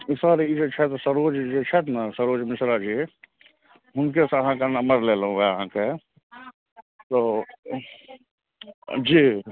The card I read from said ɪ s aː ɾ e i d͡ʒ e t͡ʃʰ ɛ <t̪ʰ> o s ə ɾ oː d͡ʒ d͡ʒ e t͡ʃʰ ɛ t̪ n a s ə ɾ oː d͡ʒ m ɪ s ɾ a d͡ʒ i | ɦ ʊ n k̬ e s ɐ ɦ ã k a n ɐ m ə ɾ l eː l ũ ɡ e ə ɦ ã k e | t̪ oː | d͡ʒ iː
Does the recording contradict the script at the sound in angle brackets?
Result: yes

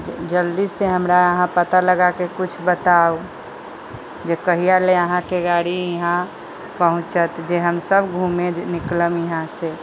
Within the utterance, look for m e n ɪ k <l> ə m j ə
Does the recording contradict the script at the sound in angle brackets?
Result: no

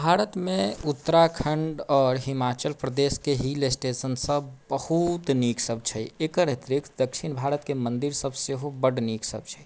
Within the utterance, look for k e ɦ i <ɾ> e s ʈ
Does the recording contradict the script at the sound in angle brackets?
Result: yes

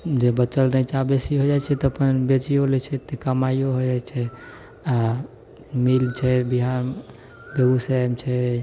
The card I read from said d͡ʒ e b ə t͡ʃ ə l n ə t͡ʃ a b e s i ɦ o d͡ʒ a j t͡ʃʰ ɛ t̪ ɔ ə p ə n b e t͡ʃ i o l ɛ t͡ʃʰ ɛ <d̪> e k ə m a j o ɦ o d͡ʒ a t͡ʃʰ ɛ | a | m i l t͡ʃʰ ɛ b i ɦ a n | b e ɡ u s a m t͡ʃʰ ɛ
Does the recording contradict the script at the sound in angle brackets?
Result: yes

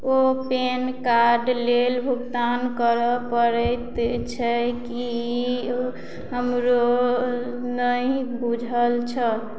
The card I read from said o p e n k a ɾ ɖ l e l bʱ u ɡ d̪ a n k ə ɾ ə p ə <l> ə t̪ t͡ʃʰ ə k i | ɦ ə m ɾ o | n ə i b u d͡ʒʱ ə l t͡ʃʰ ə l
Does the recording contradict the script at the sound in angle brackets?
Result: yes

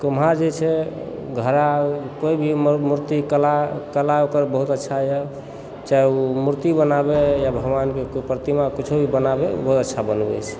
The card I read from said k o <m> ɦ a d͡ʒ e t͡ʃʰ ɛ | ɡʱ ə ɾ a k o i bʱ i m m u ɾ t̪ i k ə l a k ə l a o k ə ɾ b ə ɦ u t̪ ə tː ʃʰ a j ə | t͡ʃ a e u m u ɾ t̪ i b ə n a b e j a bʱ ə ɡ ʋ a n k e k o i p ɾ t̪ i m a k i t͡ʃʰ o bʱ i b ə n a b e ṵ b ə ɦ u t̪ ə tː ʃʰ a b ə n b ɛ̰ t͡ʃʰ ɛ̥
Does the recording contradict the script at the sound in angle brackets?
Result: no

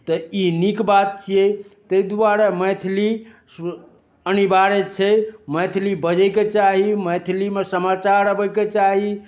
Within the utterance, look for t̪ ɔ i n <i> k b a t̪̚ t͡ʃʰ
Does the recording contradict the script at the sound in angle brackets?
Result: no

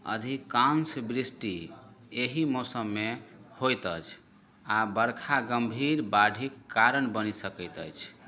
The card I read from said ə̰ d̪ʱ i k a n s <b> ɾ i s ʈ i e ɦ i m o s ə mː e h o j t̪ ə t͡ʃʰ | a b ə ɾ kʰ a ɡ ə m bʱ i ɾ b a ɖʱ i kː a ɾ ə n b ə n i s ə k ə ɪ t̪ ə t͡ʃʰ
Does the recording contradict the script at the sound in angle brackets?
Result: no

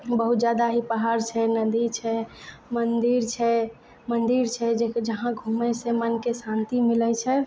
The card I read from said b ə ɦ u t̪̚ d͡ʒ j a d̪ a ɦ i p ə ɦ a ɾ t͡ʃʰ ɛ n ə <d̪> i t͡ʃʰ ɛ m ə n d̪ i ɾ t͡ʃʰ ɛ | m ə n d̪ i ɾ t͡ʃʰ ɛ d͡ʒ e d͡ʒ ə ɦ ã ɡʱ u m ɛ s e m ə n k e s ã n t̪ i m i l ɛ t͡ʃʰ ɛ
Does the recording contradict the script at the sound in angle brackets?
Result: no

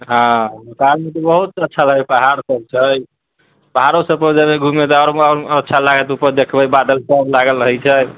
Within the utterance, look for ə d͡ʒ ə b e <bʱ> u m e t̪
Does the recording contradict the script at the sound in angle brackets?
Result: yes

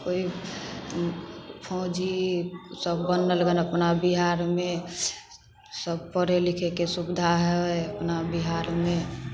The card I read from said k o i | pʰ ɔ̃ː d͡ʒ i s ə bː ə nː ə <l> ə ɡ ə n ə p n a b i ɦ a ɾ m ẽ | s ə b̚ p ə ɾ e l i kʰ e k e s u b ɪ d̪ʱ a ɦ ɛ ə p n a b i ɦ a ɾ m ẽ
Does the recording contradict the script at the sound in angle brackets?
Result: no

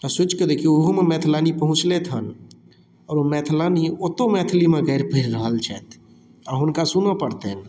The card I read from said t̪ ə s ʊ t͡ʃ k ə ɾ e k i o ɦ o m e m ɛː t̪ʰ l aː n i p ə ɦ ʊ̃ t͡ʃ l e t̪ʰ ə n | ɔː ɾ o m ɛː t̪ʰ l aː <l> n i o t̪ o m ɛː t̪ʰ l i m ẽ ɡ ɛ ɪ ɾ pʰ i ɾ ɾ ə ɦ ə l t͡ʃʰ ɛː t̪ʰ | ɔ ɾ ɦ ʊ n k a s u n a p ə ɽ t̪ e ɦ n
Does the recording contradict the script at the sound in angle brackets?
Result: yes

